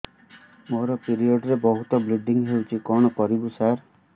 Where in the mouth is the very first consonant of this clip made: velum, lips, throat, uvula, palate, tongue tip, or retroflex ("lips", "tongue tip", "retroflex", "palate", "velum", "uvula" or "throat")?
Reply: lips